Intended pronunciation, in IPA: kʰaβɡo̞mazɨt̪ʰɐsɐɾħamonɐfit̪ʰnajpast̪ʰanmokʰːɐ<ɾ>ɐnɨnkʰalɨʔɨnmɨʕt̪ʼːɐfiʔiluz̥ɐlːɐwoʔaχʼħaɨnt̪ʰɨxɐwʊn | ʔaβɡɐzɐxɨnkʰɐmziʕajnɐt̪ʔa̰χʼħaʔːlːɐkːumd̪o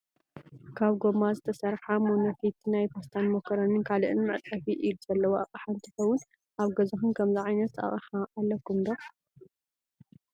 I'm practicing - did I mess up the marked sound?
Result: no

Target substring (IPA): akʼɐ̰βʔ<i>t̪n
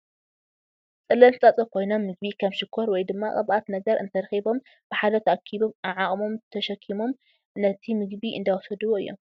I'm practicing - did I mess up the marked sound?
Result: yes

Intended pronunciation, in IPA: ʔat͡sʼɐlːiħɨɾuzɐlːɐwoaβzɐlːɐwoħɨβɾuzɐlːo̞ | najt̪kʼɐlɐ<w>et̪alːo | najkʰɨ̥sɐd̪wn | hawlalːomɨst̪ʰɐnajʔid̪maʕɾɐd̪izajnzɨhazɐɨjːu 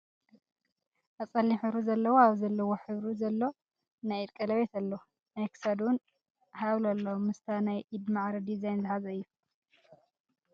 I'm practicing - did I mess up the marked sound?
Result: yes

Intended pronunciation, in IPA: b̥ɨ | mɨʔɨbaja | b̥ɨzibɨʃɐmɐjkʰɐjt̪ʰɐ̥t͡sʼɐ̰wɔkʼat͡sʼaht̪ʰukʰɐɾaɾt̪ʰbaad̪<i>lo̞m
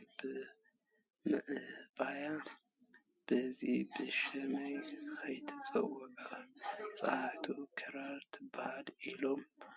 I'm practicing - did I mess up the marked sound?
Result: no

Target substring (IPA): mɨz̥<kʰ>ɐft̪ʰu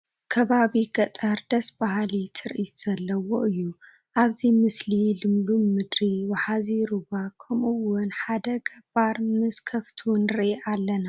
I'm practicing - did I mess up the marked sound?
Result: no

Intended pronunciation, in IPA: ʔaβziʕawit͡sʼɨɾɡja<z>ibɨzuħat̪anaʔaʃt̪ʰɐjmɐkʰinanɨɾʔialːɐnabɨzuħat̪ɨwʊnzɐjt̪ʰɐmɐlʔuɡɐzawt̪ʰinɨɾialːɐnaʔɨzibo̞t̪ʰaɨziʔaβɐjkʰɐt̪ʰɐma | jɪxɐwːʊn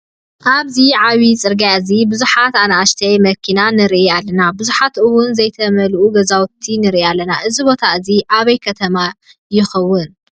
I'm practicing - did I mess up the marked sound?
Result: no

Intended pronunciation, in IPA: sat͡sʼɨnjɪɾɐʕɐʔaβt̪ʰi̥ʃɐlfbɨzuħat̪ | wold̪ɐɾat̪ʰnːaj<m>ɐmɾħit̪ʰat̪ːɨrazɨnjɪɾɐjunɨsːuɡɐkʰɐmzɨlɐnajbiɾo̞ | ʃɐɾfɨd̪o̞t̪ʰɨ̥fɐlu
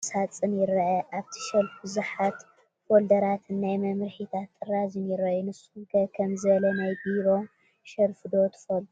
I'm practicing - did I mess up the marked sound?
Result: no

